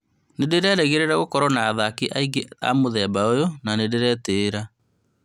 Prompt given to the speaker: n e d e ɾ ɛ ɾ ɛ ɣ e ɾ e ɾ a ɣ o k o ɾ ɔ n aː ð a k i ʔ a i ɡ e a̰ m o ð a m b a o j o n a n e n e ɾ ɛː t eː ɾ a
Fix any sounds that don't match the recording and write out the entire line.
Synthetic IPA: n e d e ɾ ɛ ɾ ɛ ɣ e ɾ e ɾ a ɣ o k ɔ ɾ ɔ n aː ð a k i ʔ a i ɡ e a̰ m o ð ɛ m b a o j o n a n e d e ɾ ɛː t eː ɾ a

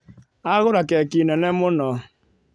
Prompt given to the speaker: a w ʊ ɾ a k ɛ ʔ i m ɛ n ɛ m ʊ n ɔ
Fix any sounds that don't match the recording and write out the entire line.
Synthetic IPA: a ɣ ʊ ɾ a k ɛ k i n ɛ n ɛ m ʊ n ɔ

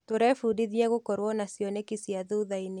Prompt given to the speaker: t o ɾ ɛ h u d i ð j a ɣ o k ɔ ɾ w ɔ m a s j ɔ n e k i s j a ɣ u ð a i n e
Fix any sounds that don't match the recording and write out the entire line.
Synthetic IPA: t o ɾ ɛ f u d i ð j ɛ ɣ o k ɔ ɾ w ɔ n a s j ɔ n e k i s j a ð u ð a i n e

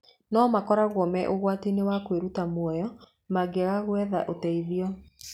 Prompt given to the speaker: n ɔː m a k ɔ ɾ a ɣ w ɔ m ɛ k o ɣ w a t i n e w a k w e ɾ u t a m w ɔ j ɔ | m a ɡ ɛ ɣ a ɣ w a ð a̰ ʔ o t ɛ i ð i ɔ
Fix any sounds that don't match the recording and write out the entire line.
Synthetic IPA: n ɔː m a k ɔ ɾ a ɣ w ɔ m ɛ ʔ o ɣ w a t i n e w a k w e ɾ u t a m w ɔ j ɔ | m a ɡ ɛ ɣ a ɣ w ɛ ð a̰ ʔ o t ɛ i ð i ɔ

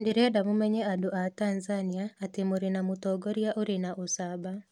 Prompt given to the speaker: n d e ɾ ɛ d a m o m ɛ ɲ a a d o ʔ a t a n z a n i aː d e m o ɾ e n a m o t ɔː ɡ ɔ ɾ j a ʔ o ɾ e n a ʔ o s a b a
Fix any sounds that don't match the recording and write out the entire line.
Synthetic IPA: n d e ɾ ɛ d a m o m ɛ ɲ ɛ a d o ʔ a t a n z a n i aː t e m o ɾ e n a m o t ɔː ɡ ɔ ɾ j a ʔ o ɾ e n a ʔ o s a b a

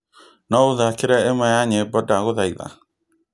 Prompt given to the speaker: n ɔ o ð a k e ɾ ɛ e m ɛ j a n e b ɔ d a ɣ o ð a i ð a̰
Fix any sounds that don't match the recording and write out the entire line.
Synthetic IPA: n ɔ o ð a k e ɾ ɛ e m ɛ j a ɲ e b ɔ d a ɣ o ð a i ð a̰

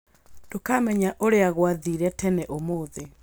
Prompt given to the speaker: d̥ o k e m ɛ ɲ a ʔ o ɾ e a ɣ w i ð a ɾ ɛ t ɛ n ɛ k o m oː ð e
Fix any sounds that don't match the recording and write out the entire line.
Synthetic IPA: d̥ o k a m ɛ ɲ a ʔ o ɾ e a ɣ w a ð i ɾ ɛ t ɛ n ɛ ʔ o m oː ð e

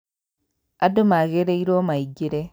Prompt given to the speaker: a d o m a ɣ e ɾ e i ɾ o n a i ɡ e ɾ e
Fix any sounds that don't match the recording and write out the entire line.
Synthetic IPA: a d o m a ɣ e ɾ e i ɾ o m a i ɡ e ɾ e

